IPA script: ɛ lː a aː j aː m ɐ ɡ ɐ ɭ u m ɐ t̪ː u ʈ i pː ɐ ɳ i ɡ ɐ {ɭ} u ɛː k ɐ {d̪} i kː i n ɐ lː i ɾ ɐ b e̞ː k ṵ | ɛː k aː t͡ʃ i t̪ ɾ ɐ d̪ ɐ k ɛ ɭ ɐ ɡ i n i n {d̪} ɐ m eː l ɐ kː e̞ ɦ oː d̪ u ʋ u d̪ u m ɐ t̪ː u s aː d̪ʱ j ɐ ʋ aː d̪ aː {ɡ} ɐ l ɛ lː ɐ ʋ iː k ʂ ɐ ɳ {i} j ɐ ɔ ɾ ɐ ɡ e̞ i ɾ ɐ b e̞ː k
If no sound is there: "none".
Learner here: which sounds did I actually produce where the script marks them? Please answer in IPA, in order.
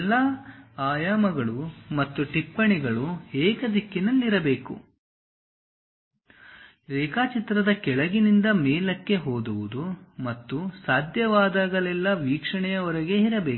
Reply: ɭ, d̪, d̪, ɡ, ɛ

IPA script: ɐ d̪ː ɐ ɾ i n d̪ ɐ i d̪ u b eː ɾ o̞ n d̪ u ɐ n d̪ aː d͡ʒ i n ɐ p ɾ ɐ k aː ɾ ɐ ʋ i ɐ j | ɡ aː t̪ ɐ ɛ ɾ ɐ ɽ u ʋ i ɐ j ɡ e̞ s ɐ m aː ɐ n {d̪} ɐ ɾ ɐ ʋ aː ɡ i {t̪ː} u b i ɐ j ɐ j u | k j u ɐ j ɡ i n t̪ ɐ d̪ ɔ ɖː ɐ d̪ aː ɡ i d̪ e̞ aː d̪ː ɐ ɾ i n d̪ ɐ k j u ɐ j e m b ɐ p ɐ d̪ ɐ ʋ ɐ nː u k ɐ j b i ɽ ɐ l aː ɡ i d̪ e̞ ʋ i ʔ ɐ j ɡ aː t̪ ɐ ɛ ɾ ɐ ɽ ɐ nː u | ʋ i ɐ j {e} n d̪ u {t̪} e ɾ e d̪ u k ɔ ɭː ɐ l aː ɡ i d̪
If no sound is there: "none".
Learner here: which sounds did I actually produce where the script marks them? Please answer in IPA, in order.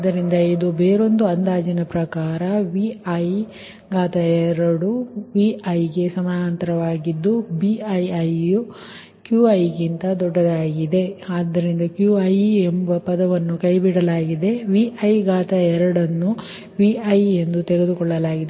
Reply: t̪, d̪ː, e, t̪

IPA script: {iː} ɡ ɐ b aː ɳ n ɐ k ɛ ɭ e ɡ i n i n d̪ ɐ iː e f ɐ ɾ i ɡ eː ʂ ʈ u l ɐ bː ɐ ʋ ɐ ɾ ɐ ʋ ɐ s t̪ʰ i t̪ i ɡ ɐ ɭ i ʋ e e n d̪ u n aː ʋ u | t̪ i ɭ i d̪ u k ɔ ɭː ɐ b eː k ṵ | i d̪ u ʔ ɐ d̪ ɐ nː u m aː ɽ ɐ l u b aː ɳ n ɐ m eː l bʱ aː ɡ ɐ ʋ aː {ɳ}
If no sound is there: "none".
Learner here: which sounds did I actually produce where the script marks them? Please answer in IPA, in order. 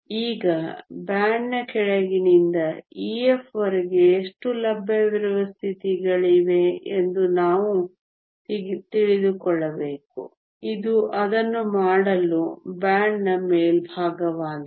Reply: iː, n

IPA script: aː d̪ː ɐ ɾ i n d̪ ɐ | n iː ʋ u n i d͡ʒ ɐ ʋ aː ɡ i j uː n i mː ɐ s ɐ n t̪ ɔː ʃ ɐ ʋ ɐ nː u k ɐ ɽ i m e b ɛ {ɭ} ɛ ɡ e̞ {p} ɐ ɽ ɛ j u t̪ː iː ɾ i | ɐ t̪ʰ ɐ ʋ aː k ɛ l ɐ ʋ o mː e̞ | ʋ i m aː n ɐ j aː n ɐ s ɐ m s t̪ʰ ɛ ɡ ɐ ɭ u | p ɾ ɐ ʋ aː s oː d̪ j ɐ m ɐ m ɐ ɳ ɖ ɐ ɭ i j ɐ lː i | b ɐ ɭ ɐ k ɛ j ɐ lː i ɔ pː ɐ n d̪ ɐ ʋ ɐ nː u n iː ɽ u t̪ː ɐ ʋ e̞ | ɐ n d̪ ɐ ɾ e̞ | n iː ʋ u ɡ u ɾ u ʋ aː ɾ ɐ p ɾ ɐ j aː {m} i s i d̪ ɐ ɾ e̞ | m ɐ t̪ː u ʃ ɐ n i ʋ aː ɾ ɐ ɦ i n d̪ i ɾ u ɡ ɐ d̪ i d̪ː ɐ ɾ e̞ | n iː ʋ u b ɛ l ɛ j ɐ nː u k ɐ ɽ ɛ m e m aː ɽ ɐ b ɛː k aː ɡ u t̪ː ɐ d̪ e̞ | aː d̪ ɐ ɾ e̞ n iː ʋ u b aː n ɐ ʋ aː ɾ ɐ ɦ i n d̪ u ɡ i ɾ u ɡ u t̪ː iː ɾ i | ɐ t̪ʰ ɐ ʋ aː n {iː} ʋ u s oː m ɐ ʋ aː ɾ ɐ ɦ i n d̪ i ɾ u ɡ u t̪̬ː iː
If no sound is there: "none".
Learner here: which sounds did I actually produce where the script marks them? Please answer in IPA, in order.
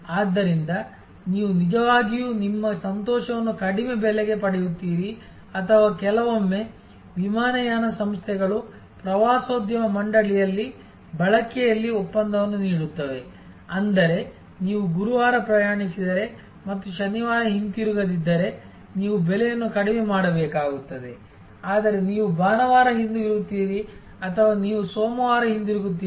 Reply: l, p, ɳ, iː

